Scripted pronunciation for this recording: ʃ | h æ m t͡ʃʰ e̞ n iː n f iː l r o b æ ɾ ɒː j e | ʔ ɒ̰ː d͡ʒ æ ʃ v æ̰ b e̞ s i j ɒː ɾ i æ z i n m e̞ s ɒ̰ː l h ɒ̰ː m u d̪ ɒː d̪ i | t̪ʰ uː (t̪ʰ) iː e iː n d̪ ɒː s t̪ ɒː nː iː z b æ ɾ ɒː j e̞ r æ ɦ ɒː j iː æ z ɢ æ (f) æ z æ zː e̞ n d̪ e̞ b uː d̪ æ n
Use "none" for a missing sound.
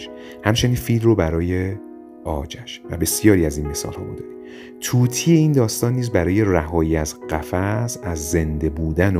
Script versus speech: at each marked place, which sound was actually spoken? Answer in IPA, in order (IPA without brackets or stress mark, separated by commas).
t̪ʰ, f